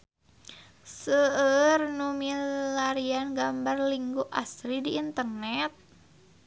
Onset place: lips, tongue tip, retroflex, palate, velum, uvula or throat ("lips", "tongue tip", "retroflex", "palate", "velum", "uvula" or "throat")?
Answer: tongue tip